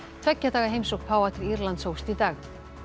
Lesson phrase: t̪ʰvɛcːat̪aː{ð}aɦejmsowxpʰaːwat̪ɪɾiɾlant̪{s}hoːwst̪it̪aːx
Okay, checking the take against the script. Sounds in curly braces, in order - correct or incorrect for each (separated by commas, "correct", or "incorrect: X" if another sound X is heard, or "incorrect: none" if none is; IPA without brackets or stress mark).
incorrect: ɣ, correct